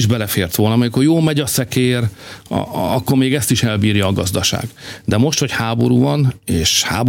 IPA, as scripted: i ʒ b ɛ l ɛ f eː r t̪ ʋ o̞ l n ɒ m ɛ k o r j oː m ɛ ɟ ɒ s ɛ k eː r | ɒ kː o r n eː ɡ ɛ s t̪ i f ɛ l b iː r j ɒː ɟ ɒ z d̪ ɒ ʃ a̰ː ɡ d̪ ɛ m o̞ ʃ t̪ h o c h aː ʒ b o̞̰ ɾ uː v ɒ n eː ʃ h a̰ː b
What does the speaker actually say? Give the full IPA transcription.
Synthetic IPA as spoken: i ʒ b ɛ l ɛ f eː r t̪ ʋ o̞ l n ɒ m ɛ k o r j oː m ɛ ɟ ɒ s ɛ k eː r | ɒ kː o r m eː ɡ ɛ s t̪ i ʃ ɛ l b iː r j ɒː ɡ ɒ z d̪ ɒ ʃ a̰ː ɡ d̪ ɛ m o̞ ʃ t̪ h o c h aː b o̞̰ ɾ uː v ɒ n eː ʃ h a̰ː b